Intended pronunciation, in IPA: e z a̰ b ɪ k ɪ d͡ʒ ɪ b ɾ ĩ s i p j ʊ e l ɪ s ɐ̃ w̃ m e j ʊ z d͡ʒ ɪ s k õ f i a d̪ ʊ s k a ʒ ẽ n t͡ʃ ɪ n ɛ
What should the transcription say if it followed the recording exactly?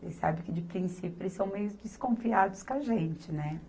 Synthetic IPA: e s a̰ b ɪ k ɪ d͡ʒ ɪ p ɾ ĩ s i p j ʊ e l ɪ s ɐ̃ w̃ m e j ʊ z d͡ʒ ɪ s k õ f i a d̪ ʊ s k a ʒ ẽ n t͡ʃ ɪ n ɛ